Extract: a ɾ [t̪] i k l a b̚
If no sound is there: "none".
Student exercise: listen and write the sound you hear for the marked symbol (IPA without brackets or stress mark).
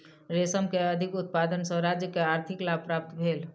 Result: t̪ʰ